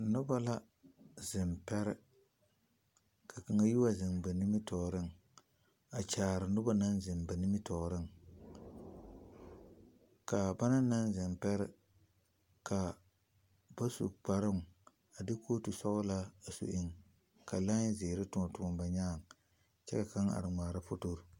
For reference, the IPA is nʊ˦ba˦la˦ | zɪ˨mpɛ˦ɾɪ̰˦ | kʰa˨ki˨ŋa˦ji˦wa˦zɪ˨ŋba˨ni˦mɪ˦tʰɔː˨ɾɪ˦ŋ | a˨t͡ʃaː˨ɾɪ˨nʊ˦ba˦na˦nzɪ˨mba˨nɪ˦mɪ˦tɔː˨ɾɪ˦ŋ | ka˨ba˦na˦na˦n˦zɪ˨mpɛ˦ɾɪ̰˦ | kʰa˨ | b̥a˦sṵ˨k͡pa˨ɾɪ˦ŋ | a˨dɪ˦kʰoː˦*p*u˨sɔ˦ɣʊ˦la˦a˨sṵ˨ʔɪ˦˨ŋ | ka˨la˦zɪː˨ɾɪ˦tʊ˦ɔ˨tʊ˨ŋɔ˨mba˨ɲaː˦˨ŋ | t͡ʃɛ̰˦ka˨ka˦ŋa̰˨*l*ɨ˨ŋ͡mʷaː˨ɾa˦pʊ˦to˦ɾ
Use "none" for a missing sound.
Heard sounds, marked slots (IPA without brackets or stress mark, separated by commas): t, ɾ